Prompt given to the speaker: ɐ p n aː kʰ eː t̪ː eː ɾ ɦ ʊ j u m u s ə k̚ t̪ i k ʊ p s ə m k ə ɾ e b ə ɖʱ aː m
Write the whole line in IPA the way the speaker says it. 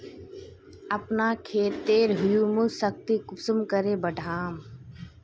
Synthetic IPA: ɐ p n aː kʰ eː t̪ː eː ɾ ɦ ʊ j u m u s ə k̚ t̪ i k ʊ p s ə m k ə ɾ e b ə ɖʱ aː m